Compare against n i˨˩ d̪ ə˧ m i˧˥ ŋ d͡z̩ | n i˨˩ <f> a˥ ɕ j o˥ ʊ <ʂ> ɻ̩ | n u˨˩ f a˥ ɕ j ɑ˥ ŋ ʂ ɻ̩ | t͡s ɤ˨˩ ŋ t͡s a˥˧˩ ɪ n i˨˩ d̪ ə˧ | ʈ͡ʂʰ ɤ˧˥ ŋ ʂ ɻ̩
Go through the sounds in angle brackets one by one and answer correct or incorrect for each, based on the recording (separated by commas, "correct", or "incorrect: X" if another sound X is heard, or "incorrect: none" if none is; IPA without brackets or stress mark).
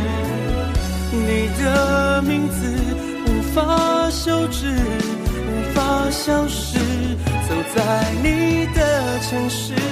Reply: correct, incorrect: ʈ͡ʂ